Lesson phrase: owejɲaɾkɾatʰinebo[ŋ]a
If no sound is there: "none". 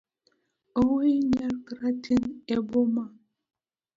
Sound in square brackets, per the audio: m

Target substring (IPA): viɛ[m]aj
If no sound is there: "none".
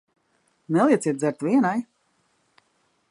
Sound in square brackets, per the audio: n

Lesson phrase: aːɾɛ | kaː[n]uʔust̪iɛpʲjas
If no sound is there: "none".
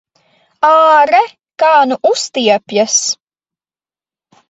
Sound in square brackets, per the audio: n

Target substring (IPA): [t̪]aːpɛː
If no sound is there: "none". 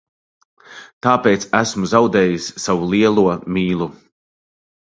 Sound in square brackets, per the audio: t̪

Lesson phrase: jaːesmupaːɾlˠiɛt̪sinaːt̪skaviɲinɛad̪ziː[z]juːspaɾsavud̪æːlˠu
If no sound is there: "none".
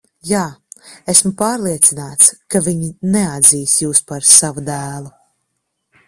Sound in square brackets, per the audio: s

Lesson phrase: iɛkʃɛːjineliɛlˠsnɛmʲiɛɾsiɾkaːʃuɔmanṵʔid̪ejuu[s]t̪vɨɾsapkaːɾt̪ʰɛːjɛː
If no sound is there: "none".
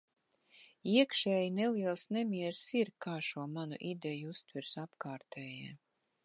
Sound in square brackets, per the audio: s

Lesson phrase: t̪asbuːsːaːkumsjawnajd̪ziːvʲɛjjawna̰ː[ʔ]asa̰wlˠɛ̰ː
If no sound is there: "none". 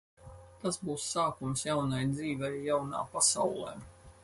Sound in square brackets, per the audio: p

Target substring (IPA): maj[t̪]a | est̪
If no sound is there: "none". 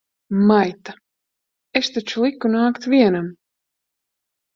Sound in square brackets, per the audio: t̪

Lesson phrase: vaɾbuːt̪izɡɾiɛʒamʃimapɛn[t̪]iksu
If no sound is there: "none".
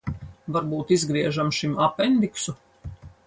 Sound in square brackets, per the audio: d̪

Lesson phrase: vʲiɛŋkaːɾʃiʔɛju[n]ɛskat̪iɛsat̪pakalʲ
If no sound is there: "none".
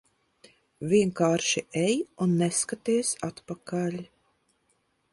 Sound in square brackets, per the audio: nː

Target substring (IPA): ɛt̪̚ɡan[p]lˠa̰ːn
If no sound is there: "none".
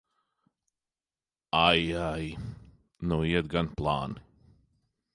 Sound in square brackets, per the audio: p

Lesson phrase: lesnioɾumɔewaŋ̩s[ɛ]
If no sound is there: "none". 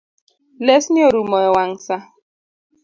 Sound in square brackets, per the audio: a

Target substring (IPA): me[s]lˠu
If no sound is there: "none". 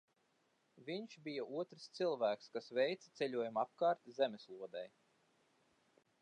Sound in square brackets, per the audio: s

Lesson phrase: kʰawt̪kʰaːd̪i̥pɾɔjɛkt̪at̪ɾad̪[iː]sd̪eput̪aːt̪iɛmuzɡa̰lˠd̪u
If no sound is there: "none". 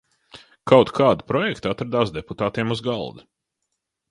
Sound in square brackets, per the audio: aː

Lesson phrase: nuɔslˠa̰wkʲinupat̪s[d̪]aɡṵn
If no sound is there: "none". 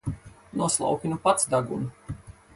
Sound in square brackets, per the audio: d̪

